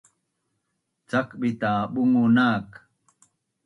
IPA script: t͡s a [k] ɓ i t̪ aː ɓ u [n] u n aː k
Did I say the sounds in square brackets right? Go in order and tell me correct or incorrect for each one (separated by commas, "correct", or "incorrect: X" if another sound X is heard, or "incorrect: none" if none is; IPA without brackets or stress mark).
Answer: correct, incorrect: ŋ